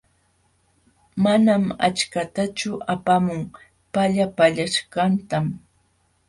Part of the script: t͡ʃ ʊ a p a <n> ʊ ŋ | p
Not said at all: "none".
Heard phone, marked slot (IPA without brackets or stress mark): m